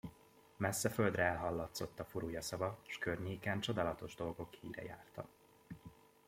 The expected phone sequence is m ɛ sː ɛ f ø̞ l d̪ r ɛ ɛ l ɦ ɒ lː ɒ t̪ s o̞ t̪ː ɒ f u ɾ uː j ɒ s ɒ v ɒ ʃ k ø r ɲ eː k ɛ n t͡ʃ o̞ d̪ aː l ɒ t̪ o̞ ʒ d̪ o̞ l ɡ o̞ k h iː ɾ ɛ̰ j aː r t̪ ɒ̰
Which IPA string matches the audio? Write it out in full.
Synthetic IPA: m ɛ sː ɛ f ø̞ l d̪ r ɛ ɛ l ɦ ɒ lː ɒ t̪ s o̞ t̪ː ɒ f u ɾ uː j ɒ s ɒ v ɒ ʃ k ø r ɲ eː k ɛ n t͡ʃ o̞ d̪ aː l ɒ t̪ o̞ ʒ d̪ o̞ l ɡ o̞ k h iː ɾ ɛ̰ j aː r t̪ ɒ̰